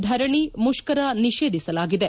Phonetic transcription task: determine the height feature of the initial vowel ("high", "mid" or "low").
low